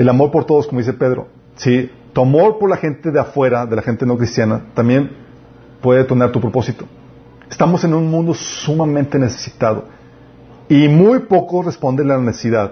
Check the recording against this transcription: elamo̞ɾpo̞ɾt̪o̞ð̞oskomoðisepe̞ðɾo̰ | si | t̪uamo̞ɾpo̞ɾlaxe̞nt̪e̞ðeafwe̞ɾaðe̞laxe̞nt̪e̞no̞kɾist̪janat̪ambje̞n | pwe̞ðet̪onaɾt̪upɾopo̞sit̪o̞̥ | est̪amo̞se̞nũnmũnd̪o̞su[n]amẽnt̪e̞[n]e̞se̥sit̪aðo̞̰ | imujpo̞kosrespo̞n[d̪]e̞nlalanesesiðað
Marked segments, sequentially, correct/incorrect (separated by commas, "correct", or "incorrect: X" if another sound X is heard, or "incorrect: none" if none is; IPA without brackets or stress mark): incorrect: m, correct, correct